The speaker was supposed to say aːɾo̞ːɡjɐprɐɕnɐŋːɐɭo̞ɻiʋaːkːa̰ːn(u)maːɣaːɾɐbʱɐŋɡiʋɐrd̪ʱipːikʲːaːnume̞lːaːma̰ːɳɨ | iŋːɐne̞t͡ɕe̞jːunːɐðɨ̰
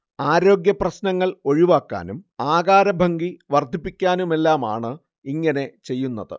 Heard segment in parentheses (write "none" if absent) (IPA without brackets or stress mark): u